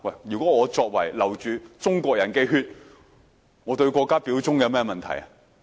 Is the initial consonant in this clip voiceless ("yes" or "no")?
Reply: no